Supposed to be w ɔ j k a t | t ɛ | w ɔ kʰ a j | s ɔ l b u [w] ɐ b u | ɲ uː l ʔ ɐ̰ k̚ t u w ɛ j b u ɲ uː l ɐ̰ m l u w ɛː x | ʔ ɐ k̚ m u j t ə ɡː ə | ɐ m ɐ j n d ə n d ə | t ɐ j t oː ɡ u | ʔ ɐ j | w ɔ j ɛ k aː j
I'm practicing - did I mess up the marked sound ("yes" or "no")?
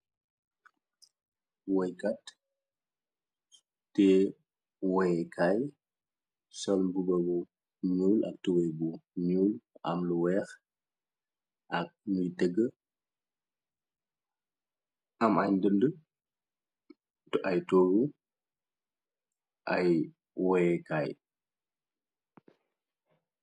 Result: yes